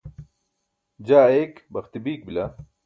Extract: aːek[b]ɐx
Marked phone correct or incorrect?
correct